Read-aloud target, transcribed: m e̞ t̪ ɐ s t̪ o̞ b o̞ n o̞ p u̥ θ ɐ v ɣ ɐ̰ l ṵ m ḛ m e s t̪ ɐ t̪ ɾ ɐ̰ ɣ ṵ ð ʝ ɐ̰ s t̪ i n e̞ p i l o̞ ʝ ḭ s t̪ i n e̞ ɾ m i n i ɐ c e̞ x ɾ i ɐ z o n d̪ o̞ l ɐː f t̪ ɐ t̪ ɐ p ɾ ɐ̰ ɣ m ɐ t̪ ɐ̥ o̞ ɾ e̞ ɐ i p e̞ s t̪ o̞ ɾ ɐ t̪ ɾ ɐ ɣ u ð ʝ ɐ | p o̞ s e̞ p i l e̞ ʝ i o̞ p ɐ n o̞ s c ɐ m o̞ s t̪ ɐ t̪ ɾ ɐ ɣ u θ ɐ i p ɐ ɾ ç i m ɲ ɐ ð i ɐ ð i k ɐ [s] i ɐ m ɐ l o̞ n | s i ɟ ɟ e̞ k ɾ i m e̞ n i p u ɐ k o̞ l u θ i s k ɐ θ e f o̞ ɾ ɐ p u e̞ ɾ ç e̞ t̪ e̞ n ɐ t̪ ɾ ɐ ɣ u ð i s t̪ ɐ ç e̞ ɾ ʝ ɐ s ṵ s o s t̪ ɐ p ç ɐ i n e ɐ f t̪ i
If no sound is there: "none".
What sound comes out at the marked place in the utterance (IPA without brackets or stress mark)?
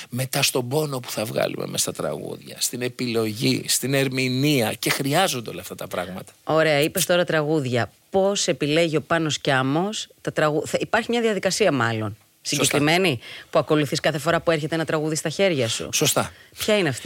s